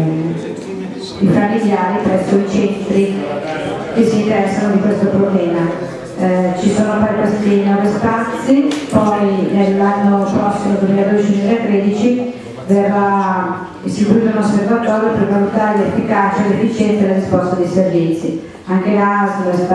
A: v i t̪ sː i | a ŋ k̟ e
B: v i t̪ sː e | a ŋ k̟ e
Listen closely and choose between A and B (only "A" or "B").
A